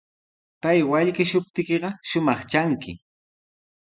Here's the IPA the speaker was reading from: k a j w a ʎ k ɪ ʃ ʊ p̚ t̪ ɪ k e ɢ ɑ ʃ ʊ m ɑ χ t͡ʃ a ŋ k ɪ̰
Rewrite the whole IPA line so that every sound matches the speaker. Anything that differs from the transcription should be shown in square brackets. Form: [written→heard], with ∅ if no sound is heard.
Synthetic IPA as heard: [k→p] a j w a ʎ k ɪ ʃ ʊ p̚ t̪ ɪ k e ɢ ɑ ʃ ʊ m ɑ χ t͡ʃ a ŋ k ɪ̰